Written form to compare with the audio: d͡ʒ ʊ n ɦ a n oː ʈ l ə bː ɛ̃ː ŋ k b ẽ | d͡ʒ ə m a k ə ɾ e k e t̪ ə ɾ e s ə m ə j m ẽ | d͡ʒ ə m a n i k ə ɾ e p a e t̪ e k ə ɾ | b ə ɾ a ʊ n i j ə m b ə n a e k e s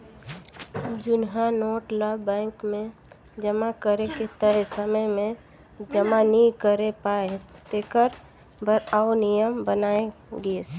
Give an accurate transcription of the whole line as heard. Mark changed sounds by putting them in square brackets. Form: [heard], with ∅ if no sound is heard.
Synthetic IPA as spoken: d͡ʒ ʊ n ɦ a n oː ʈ l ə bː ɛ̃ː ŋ k [m] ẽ | d͡ʒ ə m a k ə ɾ e k e t̪ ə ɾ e s ə m ə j m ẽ | d͡ʒ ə m a n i k ə ɾ e p a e t̪ e k ə ɾ | b ə ɾ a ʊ n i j ə m b ə n a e [ɡ] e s